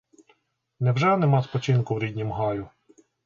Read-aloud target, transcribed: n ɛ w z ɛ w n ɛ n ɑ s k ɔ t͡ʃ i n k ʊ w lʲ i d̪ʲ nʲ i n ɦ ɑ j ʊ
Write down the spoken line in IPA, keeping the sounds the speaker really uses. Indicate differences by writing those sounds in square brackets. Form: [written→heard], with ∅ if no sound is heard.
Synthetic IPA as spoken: n ɛ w [z→ʒ] ɛ [w→∅] n ɛ [n→m] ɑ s [k→p] ɔ t͡ʃ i n k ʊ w [lʲ→ɾʲ] i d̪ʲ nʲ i [n→m] ɦ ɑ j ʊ